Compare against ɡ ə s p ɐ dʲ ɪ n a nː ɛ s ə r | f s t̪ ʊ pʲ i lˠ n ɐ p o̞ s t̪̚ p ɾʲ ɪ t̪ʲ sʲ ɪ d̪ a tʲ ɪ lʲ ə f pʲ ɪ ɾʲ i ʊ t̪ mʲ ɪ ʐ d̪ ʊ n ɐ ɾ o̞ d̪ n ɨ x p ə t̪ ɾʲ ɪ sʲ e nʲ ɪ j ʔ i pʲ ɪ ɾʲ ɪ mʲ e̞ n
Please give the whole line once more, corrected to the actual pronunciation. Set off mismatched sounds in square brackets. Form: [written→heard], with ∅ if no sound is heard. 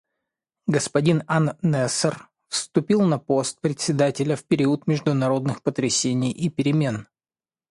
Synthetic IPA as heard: ɡ ə s p ɐ dʲ [ɪ→i] n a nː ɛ s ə r | f s t̪ ʊ pʲ i lˠ n ɐ p o̞ s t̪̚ p ɾʲ ɪ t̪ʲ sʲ ɪ d̪ a tʲ ɪ lʲ ə f pʲ ɪ ɾʲ i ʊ t̪ mʲ ɪ ʐ d̪ ʊ n ɐ ɾ o̞ d̪ n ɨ x p ə t̪ ɾʲ ɪ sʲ e nʲ ɪ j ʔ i pʲ ɪ ɾʲ ɪ mʲ e̞ n